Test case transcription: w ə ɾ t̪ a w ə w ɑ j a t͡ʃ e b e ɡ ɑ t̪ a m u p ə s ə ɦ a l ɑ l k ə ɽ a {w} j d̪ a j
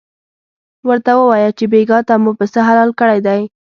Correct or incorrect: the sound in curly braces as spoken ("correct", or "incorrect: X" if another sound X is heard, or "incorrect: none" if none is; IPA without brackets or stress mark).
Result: incorrect: none